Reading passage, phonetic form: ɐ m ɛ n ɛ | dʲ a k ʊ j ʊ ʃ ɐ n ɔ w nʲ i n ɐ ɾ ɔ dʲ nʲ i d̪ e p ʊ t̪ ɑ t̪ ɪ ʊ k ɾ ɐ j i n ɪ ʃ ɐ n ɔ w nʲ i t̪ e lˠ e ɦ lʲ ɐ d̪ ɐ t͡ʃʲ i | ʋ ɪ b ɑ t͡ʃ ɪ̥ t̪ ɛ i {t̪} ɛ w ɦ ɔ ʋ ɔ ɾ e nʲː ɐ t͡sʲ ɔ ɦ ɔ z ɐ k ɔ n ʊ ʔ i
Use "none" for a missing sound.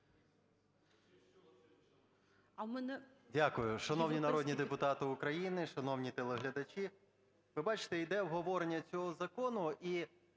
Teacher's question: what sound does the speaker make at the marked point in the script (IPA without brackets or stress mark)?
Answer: d̪